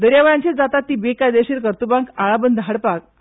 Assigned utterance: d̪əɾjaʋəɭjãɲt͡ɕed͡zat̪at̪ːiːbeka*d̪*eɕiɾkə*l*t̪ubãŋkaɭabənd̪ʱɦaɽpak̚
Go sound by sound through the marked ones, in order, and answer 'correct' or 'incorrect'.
correct, incorrect: ɾ

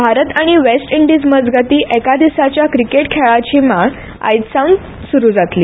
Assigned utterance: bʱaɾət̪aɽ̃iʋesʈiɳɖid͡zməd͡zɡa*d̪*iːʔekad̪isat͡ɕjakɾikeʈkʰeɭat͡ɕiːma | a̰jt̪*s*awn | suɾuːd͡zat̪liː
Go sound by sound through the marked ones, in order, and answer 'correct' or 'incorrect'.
incorrect: t̪, correct

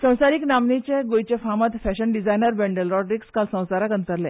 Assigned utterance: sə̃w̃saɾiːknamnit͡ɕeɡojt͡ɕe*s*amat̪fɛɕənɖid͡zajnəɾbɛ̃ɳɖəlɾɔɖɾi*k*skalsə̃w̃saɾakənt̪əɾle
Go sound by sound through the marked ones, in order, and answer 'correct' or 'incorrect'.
incorrect: f, correct

